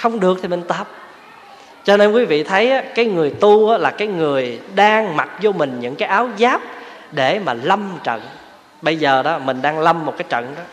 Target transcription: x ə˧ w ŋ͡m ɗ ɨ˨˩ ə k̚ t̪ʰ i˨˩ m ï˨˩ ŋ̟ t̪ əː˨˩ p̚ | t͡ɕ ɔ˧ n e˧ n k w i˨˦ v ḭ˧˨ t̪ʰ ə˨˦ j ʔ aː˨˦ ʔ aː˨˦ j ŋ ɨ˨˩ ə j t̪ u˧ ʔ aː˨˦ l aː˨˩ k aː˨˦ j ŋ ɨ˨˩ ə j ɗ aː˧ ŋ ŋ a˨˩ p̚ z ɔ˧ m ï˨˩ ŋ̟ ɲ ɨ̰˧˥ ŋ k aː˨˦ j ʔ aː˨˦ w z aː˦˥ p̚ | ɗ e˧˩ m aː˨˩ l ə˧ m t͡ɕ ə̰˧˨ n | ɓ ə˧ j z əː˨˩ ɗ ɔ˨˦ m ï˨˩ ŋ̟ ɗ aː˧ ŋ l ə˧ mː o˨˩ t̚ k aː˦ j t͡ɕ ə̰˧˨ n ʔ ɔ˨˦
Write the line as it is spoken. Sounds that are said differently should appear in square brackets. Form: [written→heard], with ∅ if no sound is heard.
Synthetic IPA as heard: x ə˧ w ŋ͡m ɗ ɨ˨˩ ə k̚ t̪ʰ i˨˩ m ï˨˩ ŋ̟ t̪ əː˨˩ p̚ | t͡ɕ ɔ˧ n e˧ n k w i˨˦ v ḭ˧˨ t̪ʰ ə˨˦ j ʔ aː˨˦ [ʔ→k] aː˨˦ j ŋ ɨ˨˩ ə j t̪ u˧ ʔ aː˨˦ l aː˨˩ k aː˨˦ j ŋ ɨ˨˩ ə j ɗ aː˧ ŋ [ŋ→m] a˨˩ [p̚→t̚] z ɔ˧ m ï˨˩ ŋ̟ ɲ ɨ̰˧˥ ŋ k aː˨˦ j ʔ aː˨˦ w z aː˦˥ p̚ | ɗ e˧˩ m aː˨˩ l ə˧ m t͡ɕ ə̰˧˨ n | ɓ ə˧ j z əː˨˩ ɗ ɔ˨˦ m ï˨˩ ŋ̟ ɗ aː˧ ŋ l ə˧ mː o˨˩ t̚ k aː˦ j t͡ɕ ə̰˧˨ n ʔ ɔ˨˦